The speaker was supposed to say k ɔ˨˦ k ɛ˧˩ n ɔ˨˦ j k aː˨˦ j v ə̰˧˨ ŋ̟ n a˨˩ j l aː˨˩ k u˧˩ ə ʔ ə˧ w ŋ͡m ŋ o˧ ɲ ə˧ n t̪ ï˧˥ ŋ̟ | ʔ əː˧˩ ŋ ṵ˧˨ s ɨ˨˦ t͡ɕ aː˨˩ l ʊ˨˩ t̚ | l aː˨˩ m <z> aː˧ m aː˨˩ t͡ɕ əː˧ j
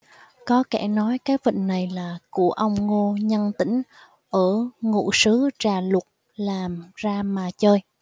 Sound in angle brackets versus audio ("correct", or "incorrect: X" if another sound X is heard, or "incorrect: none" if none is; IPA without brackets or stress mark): correct